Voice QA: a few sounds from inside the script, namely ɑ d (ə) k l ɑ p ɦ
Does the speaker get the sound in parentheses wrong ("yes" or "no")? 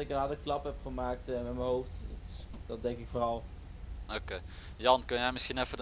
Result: no